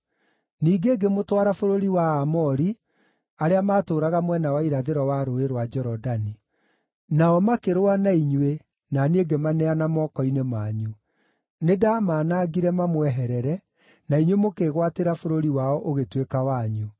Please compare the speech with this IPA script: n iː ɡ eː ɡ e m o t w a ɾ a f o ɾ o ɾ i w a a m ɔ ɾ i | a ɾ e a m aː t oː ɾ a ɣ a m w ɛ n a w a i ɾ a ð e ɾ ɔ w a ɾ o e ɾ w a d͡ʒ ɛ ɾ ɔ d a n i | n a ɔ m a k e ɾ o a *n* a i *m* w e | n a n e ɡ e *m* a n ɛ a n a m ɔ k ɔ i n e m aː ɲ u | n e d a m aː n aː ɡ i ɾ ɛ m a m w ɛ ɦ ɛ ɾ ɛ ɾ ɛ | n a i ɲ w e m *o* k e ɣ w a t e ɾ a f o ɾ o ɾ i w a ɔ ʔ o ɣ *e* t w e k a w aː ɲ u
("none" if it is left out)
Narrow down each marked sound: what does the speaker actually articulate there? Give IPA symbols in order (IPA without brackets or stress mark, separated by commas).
n, ɲ, m, o, e